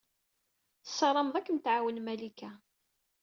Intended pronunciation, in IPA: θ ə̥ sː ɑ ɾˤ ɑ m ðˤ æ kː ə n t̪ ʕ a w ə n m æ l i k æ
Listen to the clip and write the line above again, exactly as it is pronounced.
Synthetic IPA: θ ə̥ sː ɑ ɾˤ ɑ m ðˤ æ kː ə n t̪ ʕ a w ə n m æ l i k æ